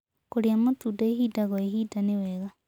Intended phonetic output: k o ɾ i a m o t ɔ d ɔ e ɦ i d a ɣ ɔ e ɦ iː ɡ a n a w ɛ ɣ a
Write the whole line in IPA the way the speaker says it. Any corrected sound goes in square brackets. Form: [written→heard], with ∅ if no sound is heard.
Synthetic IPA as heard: k o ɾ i a m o t [ɔ→u] d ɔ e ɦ i d a ɣ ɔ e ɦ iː [ɡ→d] a n [a→e] w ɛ ɣ a